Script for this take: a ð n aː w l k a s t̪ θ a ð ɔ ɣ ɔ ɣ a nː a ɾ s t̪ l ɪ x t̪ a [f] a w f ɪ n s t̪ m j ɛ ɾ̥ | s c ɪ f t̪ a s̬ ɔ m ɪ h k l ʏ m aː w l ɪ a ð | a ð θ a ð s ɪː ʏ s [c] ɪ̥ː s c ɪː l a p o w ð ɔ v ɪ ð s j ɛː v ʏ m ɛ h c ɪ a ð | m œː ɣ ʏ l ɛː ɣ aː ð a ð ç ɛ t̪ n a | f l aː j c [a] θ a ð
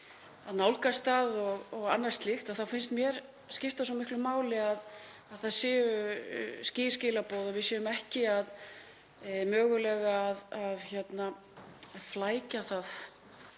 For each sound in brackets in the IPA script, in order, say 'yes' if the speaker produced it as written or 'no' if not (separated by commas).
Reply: no, yes, yes